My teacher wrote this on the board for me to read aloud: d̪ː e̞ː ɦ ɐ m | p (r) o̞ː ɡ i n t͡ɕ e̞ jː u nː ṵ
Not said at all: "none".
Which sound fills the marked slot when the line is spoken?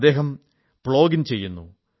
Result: ɭ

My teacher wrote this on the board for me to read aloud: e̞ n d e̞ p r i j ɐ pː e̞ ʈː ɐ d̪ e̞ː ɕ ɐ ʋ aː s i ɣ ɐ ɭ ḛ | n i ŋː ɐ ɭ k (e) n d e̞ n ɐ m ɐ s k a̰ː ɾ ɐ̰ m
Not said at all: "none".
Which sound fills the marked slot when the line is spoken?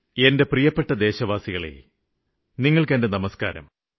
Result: e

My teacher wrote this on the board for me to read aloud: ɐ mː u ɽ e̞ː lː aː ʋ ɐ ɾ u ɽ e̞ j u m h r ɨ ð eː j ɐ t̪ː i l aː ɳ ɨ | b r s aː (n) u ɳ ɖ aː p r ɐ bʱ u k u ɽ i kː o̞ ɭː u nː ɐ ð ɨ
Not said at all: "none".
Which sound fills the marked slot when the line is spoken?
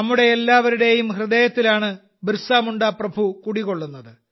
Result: m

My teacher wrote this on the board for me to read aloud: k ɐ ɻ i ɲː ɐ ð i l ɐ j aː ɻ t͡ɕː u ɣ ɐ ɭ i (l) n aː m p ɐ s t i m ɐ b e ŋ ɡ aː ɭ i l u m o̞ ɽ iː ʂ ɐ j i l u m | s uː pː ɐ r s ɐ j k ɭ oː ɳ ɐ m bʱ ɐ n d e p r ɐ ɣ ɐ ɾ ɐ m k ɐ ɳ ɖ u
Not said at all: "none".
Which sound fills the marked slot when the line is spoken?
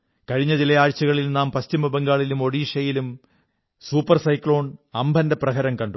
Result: l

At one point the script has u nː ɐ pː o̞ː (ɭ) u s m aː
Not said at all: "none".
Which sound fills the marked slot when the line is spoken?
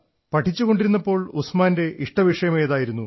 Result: ɭ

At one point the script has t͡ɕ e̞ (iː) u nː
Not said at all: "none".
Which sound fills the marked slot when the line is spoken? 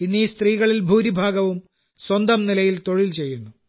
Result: jː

